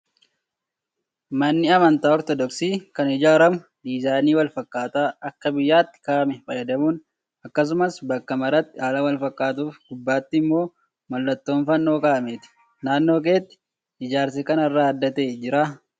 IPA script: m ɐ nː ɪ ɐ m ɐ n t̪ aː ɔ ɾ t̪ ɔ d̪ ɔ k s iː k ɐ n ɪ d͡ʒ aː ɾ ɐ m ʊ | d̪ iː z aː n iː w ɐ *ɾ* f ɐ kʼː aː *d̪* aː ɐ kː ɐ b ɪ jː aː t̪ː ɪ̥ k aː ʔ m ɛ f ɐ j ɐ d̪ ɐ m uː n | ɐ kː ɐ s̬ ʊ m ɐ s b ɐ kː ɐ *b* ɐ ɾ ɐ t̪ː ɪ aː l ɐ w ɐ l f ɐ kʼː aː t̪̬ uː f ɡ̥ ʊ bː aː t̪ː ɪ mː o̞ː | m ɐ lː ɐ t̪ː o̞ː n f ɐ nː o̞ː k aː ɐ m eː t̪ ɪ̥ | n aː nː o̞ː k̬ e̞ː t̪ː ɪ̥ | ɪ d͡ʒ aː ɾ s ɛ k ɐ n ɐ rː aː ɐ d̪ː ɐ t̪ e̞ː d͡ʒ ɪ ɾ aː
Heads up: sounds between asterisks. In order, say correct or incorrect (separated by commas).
incorrect, incorrect, incorrect